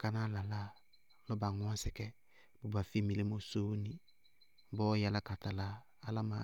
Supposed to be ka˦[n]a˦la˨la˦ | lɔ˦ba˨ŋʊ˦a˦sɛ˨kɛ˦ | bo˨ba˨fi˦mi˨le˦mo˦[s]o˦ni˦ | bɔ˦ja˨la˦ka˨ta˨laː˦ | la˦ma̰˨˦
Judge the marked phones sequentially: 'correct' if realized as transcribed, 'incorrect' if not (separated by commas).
correct, correct